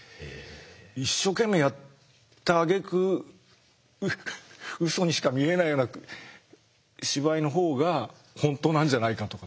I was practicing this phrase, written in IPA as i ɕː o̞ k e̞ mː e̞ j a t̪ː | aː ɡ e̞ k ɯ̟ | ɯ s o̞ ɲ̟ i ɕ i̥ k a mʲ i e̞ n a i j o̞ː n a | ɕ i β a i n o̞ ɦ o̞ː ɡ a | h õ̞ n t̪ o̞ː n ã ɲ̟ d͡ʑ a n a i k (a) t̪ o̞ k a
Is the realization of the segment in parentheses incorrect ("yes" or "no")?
no